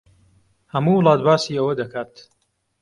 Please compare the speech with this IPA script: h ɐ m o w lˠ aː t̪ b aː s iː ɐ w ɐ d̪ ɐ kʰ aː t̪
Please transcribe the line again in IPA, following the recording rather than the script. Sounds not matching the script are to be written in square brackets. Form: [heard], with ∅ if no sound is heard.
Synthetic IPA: h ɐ m [u] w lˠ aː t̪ b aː s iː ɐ w ɐ d̪ ɐ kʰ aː t̪